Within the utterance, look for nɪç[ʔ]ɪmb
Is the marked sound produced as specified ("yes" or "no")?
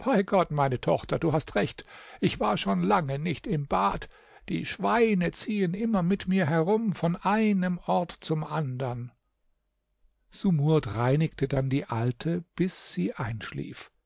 no